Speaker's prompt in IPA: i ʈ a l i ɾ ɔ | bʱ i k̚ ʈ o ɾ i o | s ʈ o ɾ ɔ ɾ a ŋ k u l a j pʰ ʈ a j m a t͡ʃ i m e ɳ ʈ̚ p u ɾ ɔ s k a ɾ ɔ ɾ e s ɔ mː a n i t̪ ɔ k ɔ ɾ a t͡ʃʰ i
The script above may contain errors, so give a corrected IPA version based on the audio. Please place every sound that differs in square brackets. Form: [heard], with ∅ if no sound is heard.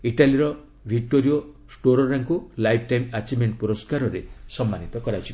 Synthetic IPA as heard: i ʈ a l i ɾ ɔ | bʱ i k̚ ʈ o ɾ i o | s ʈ o ɾ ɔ ɾ a ŋ k u l a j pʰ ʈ a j m a t͡ʃ i m e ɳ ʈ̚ p u ɾ ɔ s k a ɾ ɔ ɾ e s ɔ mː a n i t̪ ɔ k ɔ ɾ a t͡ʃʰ i